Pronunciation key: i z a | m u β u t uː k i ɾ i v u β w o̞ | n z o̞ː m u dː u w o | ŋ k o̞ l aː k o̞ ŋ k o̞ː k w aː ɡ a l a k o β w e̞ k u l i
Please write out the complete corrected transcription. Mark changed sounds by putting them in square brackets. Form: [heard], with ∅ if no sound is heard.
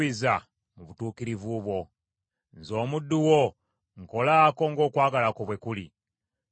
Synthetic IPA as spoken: i z a | m u β u t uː k i ɾ i v u β w o̞ | n z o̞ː m u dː u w o | ŋ k o̞ l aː k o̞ ŋ [ɡ] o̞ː k w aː ɡ a l a k o β w e̞ k u l i